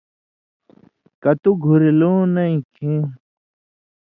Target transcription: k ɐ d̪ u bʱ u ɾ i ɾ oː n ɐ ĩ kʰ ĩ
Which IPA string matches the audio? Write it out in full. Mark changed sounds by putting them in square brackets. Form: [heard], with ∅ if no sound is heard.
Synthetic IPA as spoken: k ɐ [t̪] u [ɡʱ] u ɾ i [l] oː n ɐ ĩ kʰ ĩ